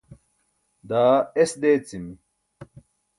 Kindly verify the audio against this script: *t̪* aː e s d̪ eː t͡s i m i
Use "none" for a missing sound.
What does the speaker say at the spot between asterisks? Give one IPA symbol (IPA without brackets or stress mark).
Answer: d̪